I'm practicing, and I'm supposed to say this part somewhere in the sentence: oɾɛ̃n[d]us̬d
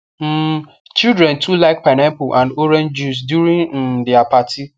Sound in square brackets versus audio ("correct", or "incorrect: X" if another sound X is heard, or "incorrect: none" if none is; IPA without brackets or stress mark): incorrect: d͡ʒ